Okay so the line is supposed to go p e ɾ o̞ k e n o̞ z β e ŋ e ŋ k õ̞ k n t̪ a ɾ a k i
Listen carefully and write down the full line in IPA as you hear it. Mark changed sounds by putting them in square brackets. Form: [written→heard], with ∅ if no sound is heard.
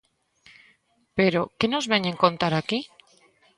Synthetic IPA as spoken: p e ɾ o̞ k e n o̞ z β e [ŋ→ɲ] e ŋ k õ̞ [k→∅] n t̪ a ɾ a k i